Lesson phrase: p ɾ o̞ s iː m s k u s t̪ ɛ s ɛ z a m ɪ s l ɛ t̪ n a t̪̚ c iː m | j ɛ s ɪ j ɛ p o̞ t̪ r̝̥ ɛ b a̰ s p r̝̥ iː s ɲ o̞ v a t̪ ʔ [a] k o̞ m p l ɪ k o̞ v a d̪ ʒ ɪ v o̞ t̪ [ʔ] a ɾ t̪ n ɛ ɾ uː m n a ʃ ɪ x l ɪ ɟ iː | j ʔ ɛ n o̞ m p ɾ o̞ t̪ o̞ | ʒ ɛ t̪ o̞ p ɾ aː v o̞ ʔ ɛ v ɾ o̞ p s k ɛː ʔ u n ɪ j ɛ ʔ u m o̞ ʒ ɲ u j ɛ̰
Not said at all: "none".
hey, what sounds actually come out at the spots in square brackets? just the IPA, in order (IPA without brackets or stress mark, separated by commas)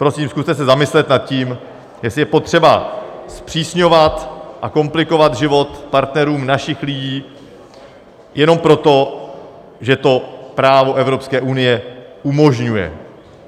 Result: a, p